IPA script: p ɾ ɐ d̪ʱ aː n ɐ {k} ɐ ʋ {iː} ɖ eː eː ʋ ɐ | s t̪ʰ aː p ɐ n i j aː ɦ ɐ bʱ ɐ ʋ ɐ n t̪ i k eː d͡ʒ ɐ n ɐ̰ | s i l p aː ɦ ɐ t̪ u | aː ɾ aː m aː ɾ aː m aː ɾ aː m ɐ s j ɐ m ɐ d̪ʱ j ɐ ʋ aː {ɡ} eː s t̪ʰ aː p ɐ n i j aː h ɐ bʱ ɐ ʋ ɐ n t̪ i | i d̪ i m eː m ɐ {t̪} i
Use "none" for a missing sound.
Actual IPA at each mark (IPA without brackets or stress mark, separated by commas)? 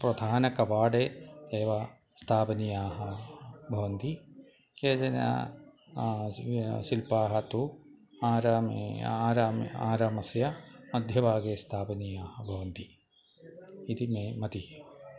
k, aː, ɡ, t̪